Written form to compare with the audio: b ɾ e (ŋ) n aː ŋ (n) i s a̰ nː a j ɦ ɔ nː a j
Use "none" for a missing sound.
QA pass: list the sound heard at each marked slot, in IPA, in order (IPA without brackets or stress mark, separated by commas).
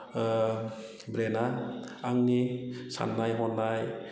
none, n